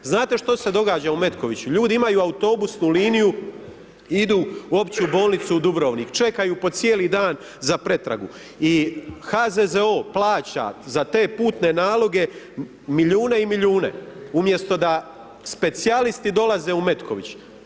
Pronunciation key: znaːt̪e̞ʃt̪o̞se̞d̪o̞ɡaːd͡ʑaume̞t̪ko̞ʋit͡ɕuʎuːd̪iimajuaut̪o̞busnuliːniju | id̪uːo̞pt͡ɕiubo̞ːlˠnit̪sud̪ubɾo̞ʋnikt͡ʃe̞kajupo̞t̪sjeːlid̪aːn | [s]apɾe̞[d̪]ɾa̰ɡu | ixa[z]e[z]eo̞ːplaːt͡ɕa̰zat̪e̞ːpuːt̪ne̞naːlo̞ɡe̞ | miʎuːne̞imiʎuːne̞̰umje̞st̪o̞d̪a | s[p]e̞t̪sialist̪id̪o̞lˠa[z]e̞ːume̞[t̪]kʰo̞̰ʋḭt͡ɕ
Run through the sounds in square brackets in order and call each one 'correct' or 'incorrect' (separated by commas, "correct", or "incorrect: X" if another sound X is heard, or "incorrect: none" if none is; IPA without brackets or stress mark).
incorrect: z, incorrect: t̪, correct, correct, correct, correct, correct